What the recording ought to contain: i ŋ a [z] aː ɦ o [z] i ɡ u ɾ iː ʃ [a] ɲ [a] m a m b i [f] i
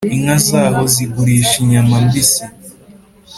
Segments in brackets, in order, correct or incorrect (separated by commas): correct, correct, incorrect, correct, incorrect